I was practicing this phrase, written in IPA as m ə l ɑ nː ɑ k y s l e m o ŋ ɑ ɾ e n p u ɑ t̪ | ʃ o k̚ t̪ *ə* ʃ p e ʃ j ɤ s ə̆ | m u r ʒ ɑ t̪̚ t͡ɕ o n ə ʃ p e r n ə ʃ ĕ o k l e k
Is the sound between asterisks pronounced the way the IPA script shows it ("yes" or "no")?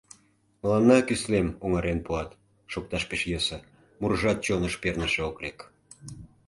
no